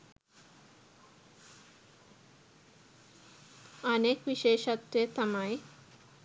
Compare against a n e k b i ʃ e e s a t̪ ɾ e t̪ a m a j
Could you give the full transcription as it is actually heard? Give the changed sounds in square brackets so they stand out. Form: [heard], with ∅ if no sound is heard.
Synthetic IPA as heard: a n e k b i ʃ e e [ʃ] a t̪ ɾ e t̪ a m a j